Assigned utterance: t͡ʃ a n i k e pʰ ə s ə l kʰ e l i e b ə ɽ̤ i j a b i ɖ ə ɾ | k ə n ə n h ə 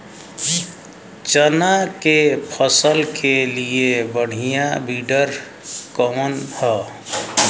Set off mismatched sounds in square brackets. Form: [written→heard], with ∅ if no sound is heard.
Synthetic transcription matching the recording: t͡ʃ [a→ə] n [i→a] k e pʰ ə s ə l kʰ e l i e b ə ɽ̤ i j a b i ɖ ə ɾ | k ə [n→m] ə n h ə